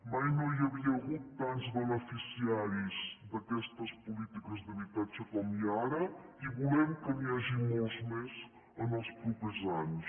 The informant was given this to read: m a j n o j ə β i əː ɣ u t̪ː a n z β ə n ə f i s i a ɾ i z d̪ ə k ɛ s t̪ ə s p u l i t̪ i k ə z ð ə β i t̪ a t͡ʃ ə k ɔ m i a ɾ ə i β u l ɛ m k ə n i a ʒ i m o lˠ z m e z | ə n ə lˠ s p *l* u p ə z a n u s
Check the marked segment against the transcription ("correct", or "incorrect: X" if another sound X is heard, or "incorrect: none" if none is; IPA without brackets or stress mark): incorrect: ɾ